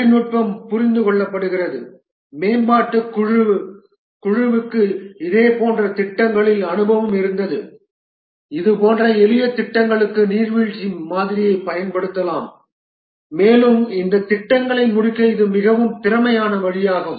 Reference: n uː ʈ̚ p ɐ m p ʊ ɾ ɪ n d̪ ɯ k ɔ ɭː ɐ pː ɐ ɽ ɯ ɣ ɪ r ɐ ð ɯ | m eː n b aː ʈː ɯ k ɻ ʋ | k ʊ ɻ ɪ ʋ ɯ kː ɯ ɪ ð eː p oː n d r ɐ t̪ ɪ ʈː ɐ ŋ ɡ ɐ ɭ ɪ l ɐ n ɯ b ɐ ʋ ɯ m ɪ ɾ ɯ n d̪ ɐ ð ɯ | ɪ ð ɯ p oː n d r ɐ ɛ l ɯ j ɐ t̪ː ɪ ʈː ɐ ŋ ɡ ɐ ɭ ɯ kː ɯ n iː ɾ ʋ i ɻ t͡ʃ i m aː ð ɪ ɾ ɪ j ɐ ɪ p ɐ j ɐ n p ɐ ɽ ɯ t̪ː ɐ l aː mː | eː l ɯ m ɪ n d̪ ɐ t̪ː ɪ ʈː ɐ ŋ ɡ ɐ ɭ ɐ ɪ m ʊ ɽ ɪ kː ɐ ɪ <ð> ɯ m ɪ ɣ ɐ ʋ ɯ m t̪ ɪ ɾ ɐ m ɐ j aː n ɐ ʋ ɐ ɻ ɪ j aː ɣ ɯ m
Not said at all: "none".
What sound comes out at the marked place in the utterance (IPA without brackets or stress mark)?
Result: ð